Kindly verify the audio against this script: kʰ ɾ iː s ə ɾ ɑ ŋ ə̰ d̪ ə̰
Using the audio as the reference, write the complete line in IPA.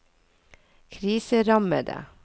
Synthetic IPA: kʰ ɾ iː s ə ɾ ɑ m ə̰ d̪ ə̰